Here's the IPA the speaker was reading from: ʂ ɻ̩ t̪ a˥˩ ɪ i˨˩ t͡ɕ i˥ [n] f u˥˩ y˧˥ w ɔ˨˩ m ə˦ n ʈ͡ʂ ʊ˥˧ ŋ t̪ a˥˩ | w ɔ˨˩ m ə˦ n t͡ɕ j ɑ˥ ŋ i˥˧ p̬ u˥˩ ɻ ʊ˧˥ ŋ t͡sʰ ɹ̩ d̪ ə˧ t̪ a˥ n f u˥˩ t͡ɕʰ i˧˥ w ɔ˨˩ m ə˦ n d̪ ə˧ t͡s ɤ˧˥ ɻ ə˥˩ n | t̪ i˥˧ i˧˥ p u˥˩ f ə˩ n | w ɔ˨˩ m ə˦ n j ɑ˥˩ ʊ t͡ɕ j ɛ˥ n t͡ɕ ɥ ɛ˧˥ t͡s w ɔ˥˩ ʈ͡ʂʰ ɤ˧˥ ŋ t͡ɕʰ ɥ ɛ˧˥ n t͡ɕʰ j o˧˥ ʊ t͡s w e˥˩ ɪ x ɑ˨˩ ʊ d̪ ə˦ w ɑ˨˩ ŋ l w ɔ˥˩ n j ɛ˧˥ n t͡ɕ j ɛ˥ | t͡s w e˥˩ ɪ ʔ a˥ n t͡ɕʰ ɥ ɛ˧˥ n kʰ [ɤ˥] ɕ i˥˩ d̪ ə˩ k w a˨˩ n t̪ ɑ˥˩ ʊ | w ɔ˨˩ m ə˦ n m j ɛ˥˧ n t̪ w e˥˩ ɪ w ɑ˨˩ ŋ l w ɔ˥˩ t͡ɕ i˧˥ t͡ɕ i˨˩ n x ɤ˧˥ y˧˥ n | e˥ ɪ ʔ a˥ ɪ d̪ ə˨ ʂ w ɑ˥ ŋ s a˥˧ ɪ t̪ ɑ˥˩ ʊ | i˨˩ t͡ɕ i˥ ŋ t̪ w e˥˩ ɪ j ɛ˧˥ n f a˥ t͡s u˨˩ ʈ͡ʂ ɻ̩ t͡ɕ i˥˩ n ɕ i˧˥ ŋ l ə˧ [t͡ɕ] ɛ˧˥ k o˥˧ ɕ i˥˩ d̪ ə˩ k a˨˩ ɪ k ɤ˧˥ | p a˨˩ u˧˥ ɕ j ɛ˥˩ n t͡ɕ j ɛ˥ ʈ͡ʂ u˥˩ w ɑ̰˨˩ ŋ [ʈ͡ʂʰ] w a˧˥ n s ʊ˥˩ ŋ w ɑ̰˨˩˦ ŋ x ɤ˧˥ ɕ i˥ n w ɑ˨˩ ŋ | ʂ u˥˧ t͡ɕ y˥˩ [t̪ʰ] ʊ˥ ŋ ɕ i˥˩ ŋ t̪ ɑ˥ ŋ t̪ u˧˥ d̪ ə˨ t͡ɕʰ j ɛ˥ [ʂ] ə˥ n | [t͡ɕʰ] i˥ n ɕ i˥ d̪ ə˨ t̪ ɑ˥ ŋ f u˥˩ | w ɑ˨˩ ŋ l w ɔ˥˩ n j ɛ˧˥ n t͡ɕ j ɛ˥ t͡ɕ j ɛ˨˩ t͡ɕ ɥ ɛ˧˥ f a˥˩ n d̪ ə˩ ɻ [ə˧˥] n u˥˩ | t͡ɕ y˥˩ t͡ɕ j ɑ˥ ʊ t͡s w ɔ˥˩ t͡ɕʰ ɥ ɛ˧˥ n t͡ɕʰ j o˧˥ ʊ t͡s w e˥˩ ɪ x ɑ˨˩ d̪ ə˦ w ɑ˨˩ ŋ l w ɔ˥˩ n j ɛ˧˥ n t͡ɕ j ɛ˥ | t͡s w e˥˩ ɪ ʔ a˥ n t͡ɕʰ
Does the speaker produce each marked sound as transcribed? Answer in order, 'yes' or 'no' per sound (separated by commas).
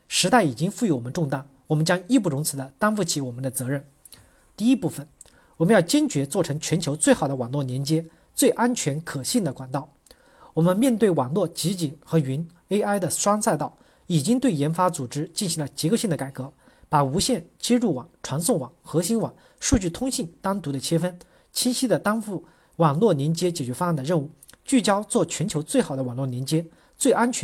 no, no, yes, yes, yes, no, yes, no